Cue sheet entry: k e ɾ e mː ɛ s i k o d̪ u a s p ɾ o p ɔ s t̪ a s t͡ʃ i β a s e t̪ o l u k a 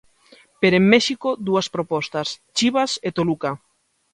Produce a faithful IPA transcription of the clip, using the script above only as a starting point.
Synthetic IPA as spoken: p e ɾ e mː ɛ ʃ i k o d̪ u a s p ɾ o p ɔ s t̪ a s t͡ʃ i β a s e t̪ o l u k a